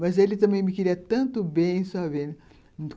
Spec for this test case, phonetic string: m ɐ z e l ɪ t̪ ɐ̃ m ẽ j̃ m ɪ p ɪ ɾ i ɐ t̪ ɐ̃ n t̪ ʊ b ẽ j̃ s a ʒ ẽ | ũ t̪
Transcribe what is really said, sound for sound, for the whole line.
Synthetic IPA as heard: m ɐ z e l ɪ t̪ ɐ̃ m ẽ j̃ m ɪ k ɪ ɾ i ɐ t̪ ɐ̃ n t̪ ʊ b ẽ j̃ s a v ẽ | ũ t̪